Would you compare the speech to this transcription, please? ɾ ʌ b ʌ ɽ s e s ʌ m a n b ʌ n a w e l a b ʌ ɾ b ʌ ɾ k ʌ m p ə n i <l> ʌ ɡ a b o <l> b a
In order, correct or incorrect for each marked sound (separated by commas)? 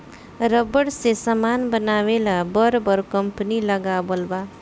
correct, correct